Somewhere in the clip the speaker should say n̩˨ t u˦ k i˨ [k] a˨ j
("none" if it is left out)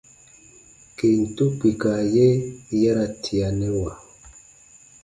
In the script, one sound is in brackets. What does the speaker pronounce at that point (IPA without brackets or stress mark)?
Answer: k